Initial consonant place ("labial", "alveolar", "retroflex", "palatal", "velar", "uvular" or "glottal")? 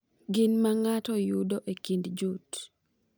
velar